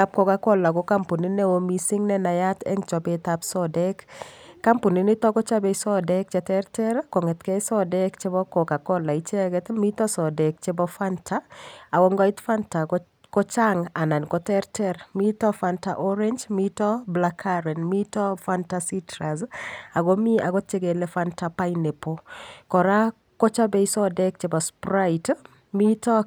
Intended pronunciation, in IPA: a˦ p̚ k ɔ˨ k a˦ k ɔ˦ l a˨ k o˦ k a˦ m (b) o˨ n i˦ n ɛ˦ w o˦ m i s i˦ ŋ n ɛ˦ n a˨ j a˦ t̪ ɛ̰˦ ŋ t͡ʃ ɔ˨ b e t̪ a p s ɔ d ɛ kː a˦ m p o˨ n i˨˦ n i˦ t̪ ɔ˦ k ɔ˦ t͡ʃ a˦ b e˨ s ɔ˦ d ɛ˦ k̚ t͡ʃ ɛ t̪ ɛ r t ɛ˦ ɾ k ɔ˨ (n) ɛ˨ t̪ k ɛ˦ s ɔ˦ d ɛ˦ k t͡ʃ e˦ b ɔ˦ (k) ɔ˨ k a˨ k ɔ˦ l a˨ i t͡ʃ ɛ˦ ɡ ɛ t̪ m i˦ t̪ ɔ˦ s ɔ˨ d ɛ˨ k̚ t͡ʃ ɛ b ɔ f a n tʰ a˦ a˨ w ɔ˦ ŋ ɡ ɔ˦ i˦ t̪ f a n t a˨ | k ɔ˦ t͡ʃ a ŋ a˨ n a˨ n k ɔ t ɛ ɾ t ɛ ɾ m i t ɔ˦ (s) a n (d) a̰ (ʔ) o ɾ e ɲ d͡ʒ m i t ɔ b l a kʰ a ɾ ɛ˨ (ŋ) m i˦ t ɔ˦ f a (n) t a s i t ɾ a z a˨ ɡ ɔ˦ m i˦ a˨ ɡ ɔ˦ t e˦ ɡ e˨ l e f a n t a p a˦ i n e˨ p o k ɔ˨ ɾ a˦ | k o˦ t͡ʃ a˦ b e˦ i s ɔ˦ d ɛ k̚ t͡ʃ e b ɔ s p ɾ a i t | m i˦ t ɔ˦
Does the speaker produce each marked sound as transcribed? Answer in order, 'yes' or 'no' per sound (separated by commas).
no, no, yes, no, no, yes, no, yes